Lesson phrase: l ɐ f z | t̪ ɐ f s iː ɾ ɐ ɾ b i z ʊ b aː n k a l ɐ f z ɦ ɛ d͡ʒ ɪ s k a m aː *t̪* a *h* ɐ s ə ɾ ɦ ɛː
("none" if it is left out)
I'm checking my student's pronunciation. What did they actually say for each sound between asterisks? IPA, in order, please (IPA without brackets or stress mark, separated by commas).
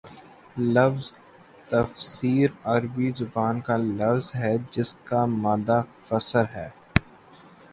d̪, f